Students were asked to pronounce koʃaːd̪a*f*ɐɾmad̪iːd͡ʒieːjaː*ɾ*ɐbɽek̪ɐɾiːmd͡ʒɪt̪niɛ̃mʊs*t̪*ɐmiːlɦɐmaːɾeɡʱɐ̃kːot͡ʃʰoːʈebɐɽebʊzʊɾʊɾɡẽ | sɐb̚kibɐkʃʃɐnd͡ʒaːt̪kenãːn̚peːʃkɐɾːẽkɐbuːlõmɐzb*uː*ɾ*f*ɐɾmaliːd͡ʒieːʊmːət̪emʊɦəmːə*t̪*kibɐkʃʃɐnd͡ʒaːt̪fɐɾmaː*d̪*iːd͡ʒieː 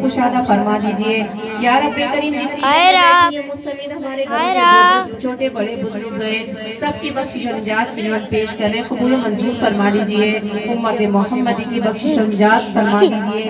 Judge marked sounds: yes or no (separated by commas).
yes, yes, yes, yes, yes, no, yes